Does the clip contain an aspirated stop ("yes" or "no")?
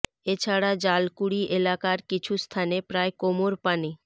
yes